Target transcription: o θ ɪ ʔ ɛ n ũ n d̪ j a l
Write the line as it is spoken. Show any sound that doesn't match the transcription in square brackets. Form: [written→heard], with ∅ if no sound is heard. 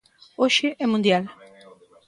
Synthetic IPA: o [θ→ʃ] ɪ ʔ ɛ [n→m] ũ n d̪ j a l

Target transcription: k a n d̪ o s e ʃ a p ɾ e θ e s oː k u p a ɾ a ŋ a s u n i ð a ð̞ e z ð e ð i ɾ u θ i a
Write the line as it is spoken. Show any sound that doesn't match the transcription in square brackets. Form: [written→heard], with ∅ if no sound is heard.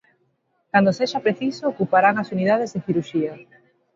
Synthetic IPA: k a n d̪ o s e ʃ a p ɾ e θ [e→i] s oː k u p a ɾ a ŋ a s u n i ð a ð̞ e z ð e [ð→θ] i ɾ u [θ→ʃ] i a

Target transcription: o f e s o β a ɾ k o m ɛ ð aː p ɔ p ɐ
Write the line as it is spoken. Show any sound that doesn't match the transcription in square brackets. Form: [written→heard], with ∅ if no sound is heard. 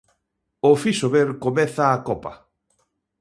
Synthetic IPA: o f [e→i] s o β [a→e] ɾ k o m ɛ [ð→θ] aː [p→k] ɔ p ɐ

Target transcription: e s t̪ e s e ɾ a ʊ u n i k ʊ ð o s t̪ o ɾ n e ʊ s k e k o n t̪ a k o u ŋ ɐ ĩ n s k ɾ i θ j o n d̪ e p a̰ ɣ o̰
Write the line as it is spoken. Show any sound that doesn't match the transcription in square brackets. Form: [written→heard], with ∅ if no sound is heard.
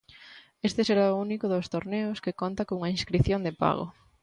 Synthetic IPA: e s t̪ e s e ɾ a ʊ u n i k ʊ ð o s t̪ o ɾ n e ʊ s k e k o n t̪ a k o u ŋ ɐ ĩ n s k ɾ i θ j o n d̪ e p a̰ ɣ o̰

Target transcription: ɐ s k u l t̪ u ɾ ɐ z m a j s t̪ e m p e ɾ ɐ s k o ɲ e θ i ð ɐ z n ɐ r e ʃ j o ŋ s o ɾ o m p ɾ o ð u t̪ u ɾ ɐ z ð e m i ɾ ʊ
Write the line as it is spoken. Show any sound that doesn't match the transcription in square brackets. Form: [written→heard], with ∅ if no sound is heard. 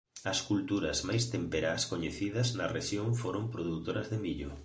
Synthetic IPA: ɐ s k u l t̪ u ɾ ɐ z m a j s t̪ e m p e ɾ [ɐ→a] s k o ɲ e θ i ð ɐ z n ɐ r e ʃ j o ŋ [s→f] o ɾ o m p ɾ o ð u t̪ [u→o] ɾ ɐ z ð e m i [ɾ→ʎ] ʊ

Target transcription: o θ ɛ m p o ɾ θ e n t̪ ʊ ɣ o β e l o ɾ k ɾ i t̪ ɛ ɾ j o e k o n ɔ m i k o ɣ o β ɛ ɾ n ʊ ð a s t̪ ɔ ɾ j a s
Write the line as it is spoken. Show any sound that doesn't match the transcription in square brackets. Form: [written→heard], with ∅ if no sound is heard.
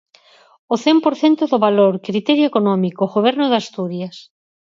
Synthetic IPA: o θ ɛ m p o ɾ θ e n t̪ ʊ [ɣ→ð] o β [e→a] l o ɾ k ɾ i t̪ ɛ ɾ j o e k o n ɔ m i k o ɣ o β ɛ ɾ n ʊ ð a s t̪ [ɔ→u] ɾ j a s

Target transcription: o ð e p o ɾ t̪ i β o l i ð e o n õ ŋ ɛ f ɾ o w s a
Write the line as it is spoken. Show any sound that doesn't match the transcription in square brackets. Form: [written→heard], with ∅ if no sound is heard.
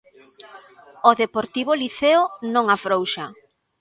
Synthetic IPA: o ð e p o ɾ t̪ i β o l i [ð→θ] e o n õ ŋ [ɛ→a] f ɾ o w [s→ʃ] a

